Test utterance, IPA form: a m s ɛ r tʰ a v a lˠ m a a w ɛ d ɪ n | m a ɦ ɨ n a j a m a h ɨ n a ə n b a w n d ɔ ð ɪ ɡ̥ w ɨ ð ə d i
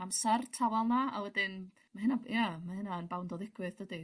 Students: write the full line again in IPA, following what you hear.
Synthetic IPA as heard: a m s ɛ r tʰ a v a lˠ n a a w ɛ d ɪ n | m a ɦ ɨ n a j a m a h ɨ n a ə n b a w n d ɔ ð ɪ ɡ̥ w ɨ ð ə d i

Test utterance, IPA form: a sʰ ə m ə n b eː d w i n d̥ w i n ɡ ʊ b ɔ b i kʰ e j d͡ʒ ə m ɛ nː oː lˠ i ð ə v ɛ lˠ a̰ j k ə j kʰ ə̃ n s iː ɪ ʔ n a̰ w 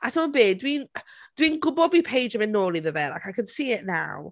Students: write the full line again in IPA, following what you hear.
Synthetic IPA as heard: a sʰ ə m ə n b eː d w i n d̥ w i n ɡ ʊ b ɔ b i pʰ e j d͡ʒ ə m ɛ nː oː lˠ i ð ə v ɛ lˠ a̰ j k a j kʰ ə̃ n s iː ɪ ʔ n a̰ w

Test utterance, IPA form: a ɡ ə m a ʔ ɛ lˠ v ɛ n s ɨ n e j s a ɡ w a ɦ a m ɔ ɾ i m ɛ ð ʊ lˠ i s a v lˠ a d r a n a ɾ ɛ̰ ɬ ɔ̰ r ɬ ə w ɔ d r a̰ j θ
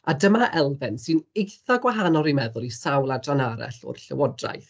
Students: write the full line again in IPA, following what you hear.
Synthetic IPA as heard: a d ə m a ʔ ɛ lˠ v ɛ n s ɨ n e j θ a ɡ w a ɦ a n ɔ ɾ i m ɛ ð ʊ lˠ i s a w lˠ a d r a n a ɾ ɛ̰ ɬ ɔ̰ r ɬ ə w ɔ d r a̰ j θ

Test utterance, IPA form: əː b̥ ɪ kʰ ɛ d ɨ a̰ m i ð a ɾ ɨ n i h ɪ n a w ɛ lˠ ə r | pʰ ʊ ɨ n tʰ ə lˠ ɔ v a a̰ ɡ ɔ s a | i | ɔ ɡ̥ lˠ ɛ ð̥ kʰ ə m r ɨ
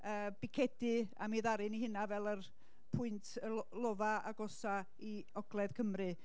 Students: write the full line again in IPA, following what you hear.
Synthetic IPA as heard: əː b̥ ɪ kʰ ɛ d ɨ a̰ m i ð a ɾ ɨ n i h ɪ n a v ɛ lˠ ə r | pʰ ʊ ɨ n tʰ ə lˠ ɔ v a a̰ ɡ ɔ s a | i | ɔ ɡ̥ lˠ ɛ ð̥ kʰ ə m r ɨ

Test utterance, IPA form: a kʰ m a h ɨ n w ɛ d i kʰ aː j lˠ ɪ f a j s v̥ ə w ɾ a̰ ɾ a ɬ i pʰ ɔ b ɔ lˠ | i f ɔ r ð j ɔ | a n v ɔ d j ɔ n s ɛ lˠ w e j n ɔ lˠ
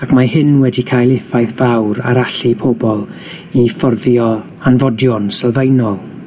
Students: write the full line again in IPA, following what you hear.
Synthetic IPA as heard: a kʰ m a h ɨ n w ɛ d i kʰ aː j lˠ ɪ f a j θ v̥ a w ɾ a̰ ɾ a ɬ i pʰ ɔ b ɔ lˠ | i f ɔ r ð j ɔ | a n v ɔ d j ɔ n s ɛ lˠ v e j n ɔ lˠ

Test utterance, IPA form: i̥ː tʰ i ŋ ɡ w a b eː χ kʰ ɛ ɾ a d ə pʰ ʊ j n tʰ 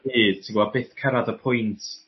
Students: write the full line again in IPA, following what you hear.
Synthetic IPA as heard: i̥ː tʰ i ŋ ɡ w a b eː θ kʰ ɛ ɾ a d ə pʰ ʊ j n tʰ

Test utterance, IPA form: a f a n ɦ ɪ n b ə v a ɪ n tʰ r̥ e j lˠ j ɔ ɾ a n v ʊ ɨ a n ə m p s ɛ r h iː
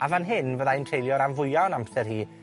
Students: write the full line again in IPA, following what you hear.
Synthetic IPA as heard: a v a n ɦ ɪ n v ə ð a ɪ n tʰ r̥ e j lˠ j ɔ ɾ a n v ʊ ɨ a n a m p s ɛ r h iː

